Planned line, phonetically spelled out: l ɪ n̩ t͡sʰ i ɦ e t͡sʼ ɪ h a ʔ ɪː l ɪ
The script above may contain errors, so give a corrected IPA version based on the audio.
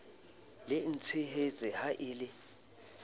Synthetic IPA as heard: l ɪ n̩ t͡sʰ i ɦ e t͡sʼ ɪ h a ʔ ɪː l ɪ